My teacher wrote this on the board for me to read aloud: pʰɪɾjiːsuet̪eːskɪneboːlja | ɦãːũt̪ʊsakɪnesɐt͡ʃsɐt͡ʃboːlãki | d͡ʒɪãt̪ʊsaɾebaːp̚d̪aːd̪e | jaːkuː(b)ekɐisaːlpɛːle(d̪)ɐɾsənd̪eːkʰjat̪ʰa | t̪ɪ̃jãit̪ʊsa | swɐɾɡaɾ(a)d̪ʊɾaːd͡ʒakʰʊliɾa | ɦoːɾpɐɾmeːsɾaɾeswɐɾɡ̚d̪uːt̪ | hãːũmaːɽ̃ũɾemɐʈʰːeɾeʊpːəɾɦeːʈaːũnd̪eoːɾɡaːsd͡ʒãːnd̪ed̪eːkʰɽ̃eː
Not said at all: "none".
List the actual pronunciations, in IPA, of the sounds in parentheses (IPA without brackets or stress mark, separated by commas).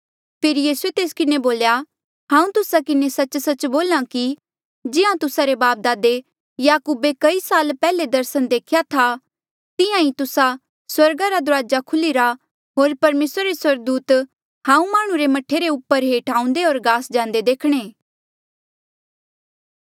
b, d̪, a